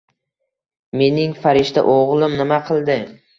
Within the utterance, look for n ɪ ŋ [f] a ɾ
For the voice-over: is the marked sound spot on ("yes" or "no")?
yes